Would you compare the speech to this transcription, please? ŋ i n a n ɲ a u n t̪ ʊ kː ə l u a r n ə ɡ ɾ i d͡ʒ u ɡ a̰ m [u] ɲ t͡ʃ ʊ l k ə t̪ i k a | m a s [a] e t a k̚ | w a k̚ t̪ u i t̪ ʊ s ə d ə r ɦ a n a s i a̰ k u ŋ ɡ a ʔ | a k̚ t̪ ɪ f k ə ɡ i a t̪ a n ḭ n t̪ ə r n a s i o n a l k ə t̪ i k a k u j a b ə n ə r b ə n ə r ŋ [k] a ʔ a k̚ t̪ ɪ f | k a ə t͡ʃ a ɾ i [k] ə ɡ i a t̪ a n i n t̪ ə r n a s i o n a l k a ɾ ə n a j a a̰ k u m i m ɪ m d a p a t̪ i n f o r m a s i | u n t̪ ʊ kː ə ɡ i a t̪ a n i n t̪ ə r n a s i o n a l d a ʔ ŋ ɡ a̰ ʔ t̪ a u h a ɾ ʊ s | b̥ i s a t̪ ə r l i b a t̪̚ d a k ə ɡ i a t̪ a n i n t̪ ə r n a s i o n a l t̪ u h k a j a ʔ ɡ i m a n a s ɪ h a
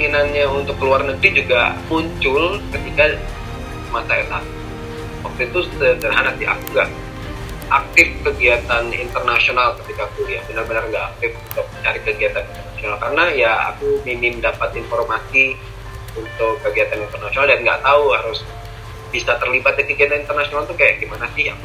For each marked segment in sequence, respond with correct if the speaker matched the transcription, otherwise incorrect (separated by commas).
correct, correct, incorrect, correct